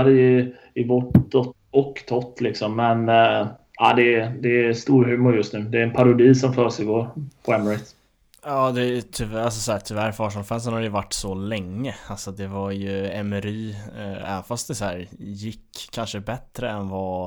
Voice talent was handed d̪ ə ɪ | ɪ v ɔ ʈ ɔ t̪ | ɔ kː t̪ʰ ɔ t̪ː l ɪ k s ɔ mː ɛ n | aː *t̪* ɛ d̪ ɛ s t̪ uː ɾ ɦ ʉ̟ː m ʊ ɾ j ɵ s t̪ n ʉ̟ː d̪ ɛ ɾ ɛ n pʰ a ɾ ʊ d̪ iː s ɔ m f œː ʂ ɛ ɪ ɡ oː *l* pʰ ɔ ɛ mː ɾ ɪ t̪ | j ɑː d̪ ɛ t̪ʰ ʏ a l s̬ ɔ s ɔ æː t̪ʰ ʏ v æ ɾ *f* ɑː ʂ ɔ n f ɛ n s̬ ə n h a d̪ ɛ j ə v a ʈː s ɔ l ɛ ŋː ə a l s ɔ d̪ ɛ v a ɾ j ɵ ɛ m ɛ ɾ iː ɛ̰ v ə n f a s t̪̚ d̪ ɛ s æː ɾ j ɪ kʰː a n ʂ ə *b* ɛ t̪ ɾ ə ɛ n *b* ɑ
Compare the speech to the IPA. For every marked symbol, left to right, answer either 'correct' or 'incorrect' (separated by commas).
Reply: incorrect, incorrect, correct, correct, incorrect